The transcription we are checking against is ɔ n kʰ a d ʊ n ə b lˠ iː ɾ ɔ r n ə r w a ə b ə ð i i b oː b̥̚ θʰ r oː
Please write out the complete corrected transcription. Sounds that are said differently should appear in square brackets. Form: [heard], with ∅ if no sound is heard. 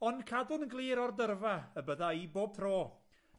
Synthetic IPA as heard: ɔ n kʰ a d ʊ n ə [ɡ] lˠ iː ɾ ɔ r [d] ə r [v] a ə b ə ð [a] i b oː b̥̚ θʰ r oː